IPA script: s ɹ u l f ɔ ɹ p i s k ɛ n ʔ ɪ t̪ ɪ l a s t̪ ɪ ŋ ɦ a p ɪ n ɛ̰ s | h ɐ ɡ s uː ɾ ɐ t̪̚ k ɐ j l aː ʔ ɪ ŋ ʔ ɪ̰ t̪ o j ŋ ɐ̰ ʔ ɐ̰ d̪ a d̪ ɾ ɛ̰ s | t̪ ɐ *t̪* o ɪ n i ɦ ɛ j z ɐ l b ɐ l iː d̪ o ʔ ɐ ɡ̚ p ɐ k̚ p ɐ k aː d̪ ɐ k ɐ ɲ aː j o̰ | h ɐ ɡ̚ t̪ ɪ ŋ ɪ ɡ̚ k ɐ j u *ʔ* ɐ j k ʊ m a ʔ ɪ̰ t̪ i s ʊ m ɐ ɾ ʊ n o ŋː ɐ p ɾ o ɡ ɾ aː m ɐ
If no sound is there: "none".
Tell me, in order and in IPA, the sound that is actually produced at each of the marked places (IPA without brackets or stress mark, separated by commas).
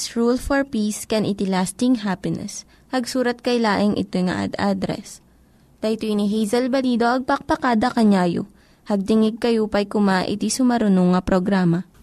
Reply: t̪, p